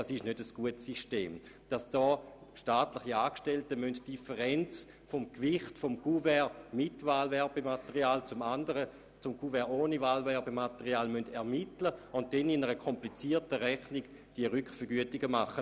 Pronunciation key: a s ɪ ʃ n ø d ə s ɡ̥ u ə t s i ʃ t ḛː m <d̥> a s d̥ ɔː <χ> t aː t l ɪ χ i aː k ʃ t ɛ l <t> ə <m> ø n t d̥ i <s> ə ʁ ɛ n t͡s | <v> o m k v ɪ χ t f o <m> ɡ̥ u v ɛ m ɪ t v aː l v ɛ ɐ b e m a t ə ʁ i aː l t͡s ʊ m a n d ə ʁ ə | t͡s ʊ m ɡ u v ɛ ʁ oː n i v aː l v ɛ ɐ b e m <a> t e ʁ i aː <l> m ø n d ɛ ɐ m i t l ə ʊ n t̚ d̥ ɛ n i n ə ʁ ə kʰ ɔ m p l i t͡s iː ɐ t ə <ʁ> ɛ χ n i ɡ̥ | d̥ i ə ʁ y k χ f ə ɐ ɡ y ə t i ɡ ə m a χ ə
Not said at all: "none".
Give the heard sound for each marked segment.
d̥, ʃ, t, m, f, f, m, a, l, ʁ

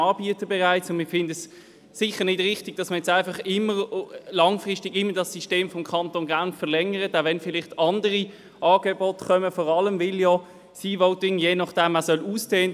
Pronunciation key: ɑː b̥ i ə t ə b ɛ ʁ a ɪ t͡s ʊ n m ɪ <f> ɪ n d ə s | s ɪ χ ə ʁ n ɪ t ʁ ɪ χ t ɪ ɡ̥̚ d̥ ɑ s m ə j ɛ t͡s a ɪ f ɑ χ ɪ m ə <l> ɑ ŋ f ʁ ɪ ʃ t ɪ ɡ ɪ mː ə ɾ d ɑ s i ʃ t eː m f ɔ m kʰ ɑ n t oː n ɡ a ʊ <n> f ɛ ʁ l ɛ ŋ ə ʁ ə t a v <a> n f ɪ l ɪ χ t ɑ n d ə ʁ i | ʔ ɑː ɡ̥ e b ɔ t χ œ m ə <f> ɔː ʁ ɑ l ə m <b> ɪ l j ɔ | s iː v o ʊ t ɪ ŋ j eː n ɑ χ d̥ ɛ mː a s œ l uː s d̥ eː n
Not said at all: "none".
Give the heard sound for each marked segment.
f, l, n, ɛ, f, v

